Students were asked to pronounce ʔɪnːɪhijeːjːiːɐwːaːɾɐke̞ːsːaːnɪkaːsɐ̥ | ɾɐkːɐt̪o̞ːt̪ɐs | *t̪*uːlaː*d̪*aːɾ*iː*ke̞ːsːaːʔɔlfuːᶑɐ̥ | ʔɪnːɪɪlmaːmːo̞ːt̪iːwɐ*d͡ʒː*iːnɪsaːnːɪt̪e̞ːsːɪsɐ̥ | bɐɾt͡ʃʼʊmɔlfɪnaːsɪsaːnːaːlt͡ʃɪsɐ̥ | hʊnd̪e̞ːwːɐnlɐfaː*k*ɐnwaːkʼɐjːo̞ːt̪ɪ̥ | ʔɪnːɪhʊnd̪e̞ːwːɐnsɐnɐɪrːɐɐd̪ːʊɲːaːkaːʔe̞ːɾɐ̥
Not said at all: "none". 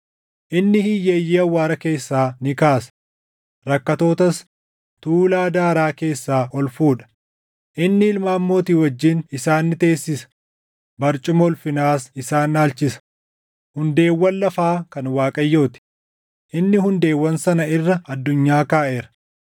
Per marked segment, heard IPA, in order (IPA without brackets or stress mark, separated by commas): t̪, d̪, aː, d͡ʒː, k